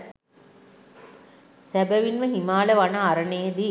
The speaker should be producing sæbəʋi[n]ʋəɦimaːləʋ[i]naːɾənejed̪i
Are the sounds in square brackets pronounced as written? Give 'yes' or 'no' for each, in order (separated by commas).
yes, no